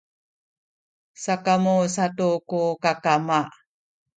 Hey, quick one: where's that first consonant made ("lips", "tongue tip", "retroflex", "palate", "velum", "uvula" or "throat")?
tongue tip